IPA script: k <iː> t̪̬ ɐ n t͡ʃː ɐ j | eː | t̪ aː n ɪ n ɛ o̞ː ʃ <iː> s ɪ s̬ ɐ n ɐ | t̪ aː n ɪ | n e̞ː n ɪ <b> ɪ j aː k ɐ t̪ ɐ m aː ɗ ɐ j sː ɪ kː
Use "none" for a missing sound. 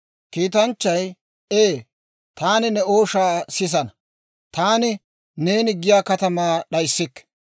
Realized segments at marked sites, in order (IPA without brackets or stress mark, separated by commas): iː, aː, ɡ